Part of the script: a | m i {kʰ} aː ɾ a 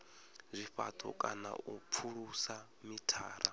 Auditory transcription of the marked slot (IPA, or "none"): tʰ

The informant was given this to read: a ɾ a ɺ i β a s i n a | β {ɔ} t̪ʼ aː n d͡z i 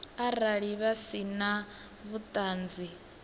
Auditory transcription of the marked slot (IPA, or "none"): u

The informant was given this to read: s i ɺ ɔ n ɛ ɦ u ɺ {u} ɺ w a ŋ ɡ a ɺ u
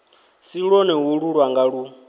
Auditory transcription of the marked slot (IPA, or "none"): u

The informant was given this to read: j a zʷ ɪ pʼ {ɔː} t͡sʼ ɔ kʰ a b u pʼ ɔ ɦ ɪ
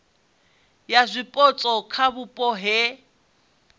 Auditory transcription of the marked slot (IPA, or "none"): ɔ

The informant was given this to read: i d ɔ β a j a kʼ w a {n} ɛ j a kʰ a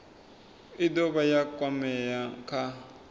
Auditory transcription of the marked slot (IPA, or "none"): m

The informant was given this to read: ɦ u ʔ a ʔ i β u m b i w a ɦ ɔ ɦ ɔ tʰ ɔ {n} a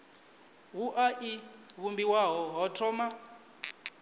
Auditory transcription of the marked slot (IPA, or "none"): m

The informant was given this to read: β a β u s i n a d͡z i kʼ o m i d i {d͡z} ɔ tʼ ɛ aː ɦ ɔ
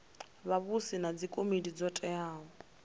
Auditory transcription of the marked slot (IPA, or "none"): d͡z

